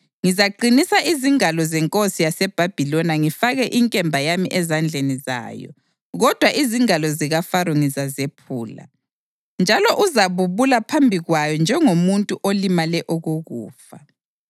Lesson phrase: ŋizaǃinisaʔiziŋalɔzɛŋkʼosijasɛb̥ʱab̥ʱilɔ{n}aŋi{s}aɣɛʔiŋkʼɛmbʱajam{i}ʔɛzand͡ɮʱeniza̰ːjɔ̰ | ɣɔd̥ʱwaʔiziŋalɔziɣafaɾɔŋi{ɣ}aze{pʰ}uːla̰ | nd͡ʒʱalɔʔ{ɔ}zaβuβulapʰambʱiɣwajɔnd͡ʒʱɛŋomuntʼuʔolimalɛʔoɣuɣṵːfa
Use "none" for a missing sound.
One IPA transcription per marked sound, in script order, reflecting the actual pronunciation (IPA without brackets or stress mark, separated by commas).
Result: n, f, i, z, pʰ, u